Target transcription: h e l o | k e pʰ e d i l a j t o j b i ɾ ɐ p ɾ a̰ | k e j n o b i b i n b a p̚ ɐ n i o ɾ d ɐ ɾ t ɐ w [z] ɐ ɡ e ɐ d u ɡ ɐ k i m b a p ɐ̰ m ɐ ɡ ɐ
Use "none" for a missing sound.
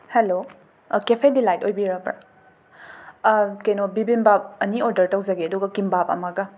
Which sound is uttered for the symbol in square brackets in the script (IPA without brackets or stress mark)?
z